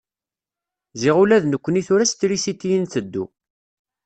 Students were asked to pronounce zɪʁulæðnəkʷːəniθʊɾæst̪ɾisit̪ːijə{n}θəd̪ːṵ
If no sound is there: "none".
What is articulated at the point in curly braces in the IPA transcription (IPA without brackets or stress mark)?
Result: n